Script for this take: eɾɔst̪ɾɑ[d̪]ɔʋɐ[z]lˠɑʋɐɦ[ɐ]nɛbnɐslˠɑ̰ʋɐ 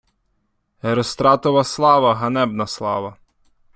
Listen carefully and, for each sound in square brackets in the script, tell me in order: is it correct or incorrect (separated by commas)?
incorrect, incorrect, correct